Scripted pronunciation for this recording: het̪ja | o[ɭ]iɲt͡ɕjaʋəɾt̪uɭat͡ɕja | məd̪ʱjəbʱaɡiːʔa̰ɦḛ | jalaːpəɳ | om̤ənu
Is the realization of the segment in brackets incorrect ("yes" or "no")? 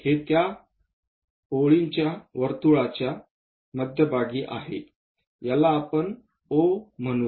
no